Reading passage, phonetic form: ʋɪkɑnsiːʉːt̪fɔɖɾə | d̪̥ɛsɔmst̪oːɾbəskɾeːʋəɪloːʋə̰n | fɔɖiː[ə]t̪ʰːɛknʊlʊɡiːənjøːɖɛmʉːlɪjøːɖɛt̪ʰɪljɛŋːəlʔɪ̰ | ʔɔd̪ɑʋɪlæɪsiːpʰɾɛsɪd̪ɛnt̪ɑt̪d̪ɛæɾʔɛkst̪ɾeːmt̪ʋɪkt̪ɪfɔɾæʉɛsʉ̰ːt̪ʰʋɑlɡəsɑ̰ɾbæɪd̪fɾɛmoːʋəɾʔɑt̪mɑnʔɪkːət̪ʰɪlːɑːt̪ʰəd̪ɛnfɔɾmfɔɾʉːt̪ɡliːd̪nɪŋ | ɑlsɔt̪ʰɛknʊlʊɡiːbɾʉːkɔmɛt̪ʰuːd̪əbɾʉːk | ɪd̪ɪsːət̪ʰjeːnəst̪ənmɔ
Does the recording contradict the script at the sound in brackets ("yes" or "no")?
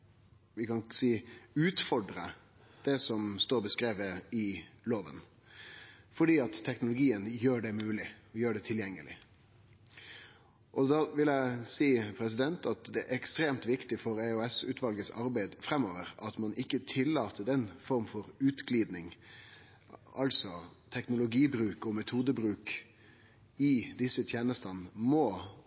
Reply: yes